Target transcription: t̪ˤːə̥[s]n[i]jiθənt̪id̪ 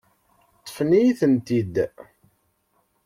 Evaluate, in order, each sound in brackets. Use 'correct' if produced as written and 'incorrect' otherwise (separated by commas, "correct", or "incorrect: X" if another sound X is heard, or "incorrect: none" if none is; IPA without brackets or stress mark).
incorrect: f, correct